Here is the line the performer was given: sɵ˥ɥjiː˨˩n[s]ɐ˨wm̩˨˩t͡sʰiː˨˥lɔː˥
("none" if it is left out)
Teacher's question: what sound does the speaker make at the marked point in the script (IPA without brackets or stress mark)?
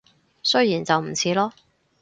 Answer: t͡s